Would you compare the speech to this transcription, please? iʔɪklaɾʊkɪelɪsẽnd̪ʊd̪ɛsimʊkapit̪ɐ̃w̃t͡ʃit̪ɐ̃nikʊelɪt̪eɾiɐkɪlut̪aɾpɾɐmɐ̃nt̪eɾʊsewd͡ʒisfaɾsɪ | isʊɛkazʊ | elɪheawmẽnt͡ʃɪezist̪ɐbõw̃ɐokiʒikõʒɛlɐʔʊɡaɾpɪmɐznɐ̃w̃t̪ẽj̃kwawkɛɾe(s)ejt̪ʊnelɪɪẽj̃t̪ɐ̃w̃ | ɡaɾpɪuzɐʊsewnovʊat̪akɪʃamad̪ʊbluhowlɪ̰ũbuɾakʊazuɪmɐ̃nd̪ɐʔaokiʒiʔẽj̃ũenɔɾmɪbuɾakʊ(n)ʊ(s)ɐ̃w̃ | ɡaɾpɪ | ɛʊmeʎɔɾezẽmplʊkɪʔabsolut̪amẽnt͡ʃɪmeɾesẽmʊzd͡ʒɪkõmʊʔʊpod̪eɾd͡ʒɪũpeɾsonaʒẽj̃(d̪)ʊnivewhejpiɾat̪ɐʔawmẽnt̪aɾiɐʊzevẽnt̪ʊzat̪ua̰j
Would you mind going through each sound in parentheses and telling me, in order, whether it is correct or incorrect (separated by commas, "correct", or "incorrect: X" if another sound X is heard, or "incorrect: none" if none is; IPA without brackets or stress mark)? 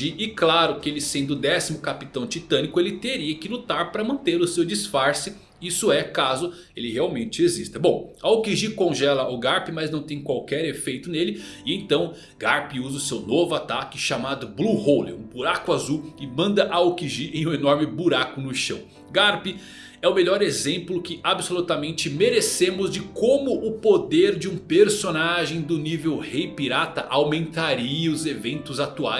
incorrect: f, correct, incorrect: ʃ, correct